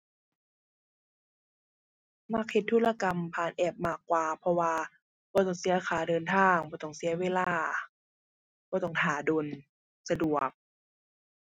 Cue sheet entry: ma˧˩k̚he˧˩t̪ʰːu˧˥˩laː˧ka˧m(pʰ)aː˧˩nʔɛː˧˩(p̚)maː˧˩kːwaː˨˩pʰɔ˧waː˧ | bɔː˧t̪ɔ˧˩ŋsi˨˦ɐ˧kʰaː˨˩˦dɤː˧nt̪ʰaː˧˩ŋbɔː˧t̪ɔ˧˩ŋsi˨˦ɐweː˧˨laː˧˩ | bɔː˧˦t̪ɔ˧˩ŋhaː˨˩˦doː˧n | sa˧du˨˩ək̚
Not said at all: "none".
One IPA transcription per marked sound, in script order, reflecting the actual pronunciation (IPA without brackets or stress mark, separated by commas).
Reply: pʰ, p̚